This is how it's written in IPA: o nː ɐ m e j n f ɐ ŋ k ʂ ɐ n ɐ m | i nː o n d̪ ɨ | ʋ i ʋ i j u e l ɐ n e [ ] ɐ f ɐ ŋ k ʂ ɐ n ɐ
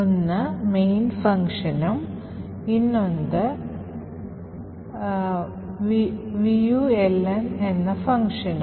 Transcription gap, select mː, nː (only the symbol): nː